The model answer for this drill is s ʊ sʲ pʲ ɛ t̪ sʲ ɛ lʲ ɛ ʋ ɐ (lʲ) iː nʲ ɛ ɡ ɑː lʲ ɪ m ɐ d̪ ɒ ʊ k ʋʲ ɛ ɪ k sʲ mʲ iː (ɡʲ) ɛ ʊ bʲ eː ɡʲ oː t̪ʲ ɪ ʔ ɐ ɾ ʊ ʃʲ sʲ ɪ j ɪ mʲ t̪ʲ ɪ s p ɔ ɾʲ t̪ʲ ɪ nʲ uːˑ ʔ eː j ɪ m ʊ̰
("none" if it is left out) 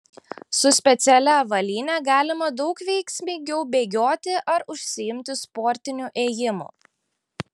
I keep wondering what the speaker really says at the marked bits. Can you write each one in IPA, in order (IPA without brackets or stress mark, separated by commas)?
lʲ, ɡʲ